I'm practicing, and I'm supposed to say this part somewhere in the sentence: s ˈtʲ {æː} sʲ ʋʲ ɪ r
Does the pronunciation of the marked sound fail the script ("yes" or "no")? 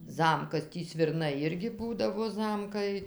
yes